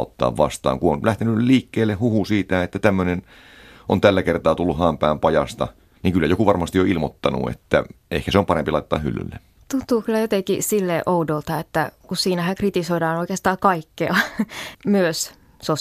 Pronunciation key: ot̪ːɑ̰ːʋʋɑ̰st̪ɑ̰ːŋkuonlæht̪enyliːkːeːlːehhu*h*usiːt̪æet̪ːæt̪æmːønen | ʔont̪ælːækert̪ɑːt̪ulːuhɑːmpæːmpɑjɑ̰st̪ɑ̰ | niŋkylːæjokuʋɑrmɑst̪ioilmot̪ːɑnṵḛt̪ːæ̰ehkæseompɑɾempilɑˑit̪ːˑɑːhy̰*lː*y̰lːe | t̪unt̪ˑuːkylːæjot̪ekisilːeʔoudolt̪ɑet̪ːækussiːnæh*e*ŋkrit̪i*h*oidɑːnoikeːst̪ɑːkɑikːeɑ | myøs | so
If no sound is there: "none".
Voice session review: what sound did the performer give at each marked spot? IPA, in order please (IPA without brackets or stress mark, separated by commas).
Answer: h, lː, æ, s